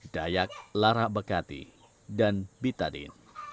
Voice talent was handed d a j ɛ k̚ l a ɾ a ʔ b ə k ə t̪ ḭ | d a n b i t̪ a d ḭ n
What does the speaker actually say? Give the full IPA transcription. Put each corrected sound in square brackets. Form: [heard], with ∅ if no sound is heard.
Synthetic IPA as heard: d a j [a] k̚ l a ɾ a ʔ b ə k [a] t̪ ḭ | d a n b i t̪ a d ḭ n

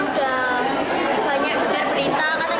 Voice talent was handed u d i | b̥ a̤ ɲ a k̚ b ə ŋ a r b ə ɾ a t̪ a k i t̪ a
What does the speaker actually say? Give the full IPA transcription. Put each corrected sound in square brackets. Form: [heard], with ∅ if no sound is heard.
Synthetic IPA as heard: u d [a] | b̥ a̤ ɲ a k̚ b ə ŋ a r b ə ɾ [i] t̪ a k [a] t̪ a

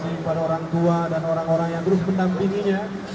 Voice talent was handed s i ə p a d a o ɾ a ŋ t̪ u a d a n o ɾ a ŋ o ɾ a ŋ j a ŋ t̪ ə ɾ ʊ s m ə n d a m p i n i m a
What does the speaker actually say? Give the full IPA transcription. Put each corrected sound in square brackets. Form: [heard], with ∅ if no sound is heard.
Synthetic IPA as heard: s i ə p a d a o ɾ a ŋ t̪ u a d a n o ɾ a ŋ o ɾ a ŋ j a ŋ t̪ ə ɾ ʊ s m ə n d a m p i [ŋ] i [ɲ] a

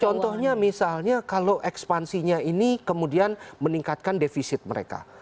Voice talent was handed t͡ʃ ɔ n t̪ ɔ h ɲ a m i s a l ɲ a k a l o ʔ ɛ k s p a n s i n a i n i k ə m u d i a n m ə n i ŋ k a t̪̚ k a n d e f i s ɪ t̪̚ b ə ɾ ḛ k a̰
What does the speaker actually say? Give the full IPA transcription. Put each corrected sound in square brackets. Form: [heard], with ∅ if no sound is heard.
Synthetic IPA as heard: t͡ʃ ɔ n t̪ ɔ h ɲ a m i s a l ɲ a k a l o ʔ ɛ k s p a n s i [ɲ] a i n i k ə m u d i a n m ə n i ŋ k a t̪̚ k a n d e f i s ɪ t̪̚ [m] ə ɾ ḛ k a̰

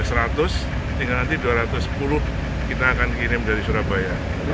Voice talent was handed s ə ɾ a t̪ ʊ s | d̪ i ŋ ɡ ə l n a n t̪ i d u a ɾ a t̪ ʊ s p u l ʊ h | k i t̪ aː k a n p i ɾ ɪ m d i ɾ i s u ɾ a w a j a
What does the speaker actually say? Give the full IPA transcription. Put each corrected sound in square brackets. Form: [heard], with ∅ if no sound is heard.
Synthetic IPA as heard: s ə ɾ a t̪ ʊ s | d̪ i ŋ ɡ [a] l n a n t̪ i d u a ɾ a t̪ ʊ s p u l ʊ h | k i t̪ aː k a n [k] i ɾ ɪ m d [a] ɾ i s u ɾ a [b] a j a

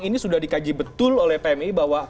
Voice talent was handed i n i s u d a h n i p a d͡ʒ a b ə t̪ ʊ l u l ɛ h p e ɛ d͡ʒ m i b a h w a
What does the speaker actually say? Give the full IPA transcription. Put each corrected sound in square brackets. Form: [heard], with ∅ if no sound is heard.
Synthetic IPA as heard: i n i s u d a h [d] i [k] a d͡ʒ [i] b ə t̪ ʊ l [o] l ɛ h p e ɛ [∅] m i b a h w a

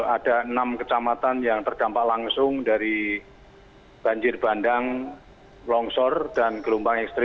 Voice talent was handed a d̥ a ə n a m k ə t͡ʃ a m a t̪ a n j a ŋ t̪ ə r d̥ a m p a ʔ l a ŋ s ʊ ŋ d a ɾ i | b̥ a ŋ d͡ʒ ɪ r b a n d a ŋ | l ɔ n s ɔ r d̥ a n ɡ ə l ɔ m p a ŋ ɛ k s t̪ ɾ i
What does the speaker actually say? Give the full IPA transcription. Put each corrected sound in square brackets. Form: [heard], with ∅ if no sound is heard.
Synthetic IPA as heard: a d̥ a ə n a m k ə t͡ʃ a m a t̪ a n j a ŋ t̪ ə r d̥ a m p a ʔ l a ŋ s ʊ ŋ d a ɾ i | b̥ a [ɲ] d͡ʒ ɪ r b a n d a ŋ | l ɔ [ŋ] s ɔ r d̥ a n ɡ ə l [u] m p a ŋ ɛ k s t̪ ɾ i

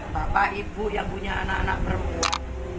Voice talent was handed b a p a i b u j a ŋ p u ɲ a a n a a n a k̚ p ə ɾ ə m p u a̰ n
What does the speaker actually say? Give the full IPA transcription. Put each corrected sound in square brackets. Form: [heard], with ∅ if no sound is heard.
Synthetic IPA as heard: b a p a i b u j a ŋ p u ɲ a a n a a n a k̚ p ə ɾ ə m p u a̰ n

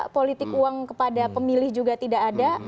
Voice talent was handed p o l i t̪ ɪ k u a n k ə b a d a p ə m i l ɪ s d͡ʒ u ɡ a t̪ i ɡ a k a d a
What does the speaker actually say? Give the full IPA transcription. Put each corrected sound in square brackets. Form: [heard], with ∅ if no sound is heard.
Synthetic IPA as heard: p o l i t̪ ɪ k u a [ŋ] k ə [p] a d a p ə m i l ɪ [h] d͡ʒ u ɡ a t̪ i [d] a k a d a

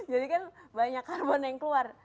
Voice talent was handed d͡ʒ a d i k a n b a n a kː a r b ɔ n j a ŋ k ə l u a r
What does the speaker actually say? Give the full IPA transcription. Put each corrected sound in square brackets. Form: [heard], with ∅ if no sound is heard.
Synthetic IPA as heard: d͡ʒ a d i k a n b a [ɲ] a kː a r b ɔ n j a ŋ k ə l u a r

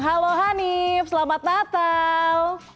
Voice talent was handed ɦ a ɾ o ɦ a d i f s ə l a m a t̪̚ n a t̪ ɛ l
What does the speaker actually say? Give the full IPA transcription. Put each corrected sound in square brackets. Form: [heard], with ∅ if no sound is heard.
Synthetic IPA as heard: ɦ a [l] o ɦ a [n] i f s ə l a m a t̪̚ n a t̪ [a] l

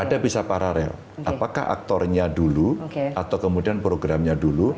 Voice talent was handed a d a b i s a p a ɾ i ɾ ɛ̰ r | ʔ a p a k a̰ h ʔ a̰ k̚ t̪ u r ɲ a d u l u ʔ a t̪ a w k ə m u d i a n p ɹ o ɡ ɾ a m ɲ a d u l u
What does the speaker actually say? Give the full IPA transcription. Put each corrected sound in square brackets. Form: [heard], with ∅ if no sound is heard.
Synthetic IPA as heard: a d a b i s a p a ɾ [a] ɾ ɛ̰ [l] | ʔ a p a k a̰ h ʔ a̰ k̚ t̪ [ɔ] r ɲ a d u l u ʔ a t̪ a w k ə m u d i a n p [ɾ] o ɡ ɾ a m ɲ a d u l u

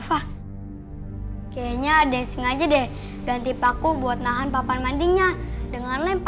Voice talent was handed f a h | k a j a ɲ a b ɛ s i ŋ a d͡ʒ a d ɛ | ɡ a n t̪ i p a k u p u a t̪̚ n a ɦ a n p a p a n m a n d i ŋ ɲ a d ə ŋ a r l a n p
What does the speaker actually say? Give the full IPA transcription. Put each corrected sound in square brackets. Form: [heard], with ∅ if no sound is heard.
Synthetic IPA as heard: f a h | k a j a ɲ a [d] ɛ s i ŋ a d͡ʒ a d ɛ | ɡ a n t̪ i p a k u [b] u a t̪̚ n a ɦ a n p a p a n m a n d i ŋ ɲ a d ə ŋ a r l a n p

